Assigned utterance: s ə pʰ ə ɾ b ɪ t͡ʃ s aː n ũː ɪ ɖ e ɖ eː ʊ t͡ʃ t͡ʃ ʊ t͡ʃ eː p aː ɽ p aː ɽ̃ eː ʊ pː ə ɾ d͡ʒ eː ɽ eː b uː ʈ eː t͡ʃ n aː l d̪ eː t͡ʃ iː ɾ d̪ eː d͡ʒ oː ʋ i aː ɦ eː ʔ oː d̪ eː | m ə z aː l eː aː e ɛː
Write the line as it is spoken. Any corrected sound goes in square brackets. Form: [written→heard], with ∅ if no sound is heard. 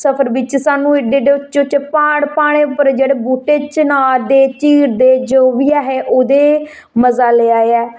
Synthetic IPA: s ə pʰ ə ɾ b ɪ t͡ʃ s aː n ũː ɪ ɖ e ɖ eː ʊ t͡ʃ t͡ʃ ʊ t͡ʃ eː p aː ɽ p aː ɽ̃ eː ʊ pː ə ɾ d͡ʒ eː ɽ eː b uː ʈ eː t͡ʃ n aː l d̪ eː t͡ʃ iː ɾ d̪ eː d͡ʒ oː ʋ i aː ɦ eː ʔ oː d̪ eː | m ə z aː l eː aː e ɛː